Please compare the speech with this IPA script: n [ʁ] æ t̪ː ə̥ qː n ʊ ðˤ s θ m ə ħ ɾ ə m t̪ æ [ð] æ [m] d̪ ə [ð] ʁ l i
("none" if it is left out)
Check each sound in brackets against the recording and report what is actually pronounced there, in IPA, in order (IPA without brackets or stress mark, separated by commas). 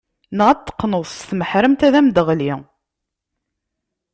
ʁ, ð, m, none